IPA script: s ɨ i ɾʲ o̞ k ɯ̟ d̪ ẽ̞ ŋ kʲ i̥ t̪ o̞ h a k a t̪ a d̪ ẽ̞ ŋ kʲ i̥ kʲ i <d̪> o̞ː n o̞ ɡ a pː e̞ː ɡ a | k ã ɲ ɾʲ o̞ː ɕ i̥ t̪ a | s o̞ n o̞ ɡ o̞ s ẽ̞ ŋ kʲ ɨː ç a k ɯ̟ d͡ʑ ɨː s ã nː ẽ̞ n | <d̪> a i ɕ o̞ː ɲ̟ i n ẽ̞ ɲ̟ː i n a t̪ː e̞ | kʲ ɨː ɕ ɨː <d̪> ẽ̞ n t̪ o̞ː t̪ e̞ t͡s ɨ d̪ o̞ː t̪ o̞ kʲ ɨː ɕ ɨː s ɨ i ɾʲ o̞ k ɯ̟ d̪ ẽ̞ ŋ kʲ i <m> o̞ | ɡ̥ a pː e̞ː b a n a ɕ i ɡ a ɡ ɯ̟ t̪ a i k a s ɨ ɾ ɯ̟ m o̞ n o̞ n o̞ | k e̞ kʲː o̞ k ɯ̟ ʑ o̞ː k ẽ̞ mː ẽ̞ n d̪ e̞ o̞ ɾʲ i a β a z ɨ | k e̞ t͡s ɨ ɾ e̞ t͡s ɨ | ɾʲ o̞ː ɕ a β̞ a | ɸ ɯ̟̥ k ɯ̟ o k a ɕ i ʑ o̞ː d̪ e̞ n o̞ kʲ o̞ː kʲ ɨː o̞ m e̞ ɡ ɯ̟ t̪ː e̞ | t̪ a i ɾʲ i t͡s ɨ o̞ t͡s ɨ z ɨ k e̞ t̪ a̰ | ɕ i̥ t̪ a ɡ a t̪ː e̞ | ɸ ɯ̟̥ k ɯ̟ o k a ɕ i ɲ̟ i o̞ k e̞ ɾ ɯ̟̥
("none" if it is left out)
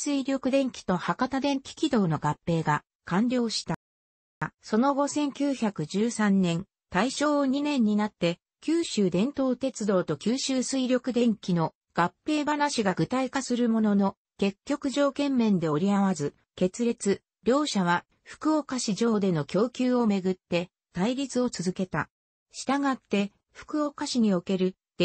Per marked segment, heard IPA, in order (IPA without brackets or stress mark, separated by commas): d̪, t̪, d̪, n